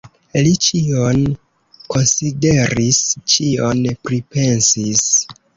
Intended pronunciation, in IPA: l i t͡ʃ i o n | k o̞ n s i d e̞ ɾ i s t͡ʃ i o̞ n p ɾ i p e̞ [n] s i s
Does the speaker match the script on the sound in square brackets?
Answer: yes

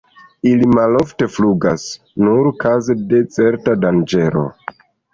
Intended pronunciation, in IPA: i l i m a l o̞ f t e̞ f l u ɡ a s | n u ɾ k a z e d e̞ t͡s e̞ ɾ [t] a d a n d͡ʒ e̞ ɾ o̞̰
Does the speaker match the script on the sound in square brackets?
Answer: yes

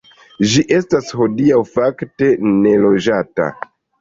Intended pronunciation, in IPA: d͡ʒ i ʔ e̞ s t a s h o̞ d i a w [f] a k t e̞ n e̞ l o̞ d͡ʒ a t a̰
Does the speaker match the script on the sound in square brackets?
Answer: yes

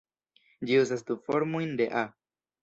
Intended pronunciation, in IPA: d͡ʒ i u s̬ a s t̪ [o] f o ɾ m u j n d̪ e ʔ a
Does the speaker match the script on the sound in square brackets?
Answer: no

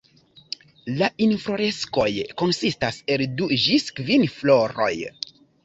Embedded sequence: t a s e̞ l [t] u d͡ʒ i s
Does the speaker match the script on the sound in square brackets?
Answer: no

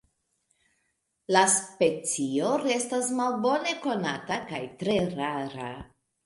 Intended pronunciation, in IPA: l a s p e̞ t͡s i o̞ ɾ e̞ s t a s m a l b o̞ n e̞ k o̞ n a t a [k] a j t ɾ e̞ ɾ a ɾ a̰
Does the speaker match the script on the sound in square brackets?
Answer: yes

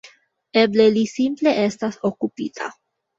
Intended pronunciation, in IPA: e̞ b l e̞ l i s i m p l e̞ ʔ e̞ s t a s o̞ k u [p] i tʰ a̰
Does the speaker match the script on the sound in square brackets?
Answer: yes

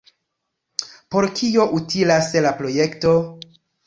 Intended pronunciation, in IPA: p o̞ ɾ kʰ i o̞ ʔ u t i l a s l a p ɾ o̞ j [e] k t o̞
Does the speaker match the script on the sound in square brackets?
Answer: yes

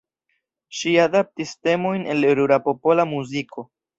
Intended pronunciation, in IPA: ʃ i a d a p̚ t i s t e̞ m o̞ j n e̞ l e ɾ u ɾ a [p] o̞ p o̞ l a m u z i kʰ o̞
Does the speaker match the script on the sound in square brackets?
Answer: yes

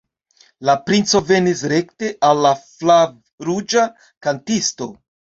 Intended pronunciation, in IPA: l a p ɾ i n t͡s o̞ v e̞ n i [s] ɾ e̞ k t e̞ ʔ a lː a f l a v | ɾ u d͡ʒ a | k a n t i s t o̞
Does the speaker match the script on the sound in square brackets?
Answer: yes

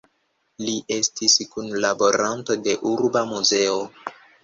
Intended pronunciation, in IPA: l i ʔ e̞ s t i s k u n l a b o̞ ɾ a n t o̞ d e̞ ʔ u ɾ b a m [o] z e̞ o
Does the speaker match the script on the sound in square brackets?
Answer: no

